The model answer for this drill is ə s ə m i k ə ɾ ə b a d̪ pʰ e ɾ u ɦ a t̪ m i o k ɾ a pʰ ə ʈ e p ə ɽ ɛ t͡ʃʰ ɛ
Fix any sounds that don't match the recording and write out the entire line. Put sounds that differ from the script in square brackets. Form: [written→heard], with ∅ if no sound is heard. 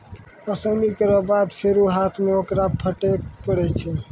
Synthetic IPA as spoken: ə s ə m i k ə ɾ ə b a d̪ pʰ e ɾ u ɦ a [t̪→t̪ʰ] m [i→e] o k ɾ a pʰ ə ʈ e p ə ɽ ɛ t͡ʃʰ ɛ